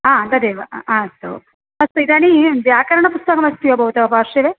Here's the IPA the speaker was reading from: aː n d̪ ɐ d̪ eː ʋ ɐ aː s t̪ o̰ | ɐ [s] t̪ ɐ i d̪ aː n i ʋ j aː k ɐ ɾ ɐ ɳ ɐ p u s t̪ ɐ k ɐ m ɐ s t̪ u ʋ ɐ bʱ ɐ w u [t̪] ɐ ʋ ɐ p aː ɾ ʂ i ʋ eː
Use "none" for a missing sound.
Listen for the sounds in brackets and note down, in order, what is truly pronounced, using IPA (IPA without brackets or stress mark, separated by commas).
s, t̪